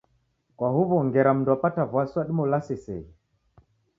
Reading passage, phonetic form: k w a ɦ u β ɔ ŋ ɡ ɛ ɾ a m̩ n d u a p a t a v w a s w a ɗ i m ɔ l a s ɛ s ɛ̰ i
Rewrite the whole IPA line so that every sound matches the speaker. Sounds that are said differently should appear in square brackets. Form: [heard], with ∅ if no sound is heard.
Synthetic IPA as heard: k w a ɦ u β ɔ ŋ ɡ ɛ ɾ a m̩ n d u a p a t a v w a s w a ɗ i m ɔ l a s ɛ s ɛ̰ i

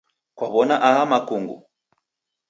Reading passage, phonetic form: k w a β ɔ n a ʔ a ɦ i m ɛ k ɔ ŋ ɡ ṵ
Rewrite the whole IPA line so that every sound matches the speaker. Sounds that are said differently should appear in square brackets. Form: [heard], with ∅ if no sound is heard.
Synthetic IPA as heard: k w a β ɔ n a ʔ a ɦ [a] m [a] k [u] ŋ ɡ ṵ

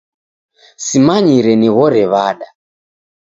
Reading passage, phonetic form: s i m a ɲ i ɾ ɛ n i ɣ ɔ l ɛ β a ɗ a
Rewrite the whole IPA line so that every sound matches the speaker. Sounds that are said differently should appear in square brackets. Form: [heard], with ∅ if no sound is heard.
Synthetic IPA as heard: s i m a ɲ i ɾ ɛ n i ɣ ɔ [ɾ] ɛ β a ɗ a

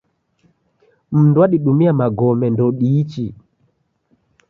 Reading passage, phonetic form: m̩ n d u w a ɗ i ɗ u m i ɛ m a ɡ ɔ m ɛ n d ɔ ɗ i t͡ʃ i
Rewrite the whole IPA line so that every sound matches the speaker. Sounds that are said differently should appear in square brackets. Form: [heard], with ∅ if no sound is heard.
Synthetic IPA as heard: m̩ n d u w a ɗ i ɗ u m i [a] m a ɡ ɔ m ɛ n d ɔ ɗ i t͡ʃ i

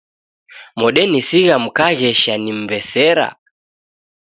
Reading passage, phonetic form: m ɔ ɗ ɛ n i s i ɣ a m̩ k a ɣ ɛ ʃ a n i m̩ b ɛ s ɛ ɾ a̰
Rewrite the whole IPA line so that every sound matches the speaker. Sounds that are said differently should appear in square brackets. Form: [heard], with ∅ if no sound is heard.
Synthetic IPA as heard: m ɔ ɗ ɛ n i s i ɣ a m̩ k a ɣ ɛ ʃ a n i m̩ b ɛ s ɛ ɾ a̰

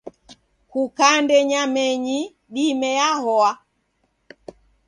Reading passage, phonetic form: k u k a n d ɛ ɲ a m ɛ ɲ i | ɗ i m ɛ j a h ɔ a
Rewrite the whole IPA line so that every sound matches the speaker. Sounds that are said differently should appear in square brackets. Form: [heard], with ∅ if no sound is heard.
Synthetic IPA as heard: k u k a n d ɛ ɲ a m ɛ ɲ i | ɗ i m ɛ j a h ɔ a

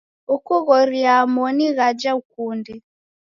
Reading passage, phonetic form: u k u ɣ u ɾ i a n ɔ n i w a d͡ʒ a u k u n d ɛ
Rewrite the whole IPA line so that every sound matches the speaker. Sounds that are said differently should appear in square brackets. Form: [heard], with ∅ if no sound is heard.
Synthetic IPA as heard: u k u ɣ [ɔ] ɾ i a [m] ɔ n i [ɣ] a d͡ʒ a u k u n d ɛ

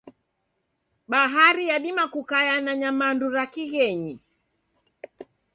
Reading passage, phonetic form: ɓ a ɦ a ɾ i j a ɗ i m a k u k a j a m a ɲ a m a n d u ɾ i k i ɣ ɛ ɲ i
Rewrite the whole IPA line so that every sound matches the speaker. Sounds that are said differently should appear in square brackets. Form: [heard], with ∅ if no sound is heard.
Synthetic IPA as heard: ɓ a ɦ a ɾ i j a ɗ i m a k u k a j a [n] a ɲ a m a n d u ɾ [a] k i ɣ ɛ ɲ i

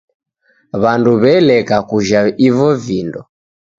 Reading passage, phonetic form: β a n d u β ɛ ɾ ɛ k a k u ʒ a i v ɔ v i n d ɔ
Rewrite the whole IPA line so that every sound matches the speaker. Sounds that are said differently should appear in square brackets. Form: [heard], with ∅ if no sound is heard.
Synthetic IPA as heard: β a n d u β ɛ [l] ɛ k a k u ʒ a i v ɔ v i n d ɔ

